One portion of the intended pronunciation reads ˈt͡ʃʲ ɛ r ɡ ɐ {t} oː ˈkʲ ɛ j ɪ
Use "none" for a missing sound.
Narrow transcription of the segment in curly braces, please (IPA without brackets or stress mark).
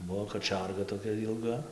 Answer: t